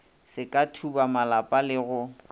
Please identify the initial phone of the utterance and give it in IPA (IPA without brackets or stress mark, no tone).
s